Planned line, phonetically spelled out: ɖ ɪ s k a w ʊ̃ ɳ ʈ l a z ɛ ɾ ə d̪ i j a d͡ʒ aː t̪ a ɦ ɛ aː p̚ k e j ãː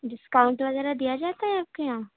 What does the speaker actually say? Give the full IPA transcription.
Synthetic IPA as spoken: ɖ ɪ s k a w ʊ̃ ɳ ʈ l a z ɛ ɾ a d̪ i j a d͡ʒ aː t̪ a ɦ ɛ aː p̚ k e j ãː